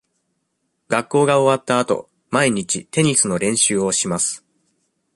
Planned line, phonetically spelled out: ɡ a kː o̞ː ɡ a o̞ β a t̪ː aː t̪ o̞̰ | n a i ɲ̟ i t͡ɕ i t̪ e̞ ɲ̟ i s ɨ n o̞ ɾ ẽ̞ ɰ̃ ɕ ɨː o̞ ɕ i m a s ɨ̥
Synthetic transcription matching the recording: ɡ a kː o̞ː ɡ a o̞ β a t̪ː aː t̪ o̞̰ | m a i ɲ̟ i t͡ɕ i t̪ e̞ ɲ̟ i s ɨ n o̞ ɾ ẽ̞ ɰ̃ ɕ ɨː o̞ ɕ i m a s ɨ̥